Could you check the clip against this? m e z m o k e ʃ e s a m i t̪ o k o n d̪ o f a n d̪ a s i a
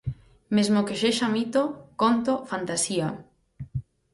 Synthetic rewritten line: m e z m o k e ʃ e ʃ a m i t̪ o k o n t̪ o f a n t̪ a s i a